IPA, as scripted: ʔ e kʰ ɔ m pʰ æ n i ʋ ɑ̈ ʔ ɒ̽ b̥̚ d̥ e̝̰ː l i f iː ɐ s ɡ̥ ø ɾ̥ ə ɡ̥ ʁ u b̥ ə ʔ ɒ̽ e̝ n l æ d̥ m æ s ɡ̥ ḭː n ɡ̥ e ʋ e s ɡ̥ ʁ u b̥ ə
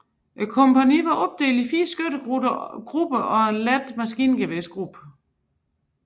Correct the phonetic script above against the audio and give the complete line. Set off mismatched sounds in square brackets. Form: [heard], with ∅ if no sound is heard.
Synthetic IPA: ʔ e kʰ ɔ m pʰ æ n i ʋ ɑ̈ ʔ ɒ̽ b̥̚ d̥ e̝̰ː l i f iː ɐ s ɡ̥ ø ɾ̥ ə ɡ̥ ʁ u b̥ ə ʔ ɒ̽ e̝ n l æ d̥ m æ s ɡ̥ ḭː n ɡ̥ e ʋ e s ɡ̥ ʁ u b̥ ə